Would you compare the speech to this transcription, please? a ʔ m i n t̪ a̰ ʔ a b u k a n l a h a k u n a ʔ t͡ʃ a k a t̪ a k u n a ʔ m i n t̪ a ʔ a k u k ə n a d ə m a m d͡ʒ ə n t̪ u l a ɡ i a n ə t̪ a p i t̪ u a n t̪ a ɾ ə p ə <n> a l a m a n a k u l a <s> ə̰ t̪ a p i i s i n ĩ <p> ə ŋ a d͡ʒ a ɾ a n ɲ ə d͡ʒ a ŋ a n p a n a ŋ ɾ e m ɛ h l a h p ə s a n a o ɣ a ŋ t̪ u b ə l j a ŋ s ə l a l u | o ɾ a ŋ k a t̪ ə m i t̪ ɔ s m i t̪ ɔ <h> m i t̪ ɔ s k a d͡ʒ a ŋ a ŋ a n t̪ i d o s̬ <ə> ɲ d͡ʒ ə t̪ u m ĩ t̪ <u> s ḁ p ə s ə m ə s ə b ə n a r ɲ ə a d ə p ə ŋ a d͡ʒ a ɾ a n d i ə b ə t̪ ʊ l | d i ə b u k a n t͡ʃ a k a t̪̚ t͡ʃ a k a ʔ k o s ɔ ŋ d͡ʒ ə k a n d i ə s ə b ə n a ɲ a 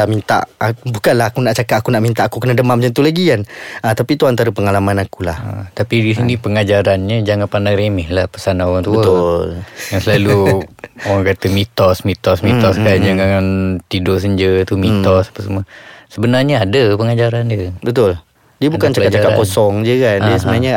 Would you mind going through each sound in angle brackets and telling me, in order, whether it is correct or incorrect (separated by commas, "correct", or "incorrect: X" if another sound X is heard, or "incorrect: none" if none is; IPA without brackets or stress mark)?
incorrect: ŋ, incorrect: h, correct, incorrect: s, correct, incorrect: ɔ